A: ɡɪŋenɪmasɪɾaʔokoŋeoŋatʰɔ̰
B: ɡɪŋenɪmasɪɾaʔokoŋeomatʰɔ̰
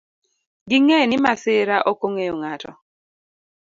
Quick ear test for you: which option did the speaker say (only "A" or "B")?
A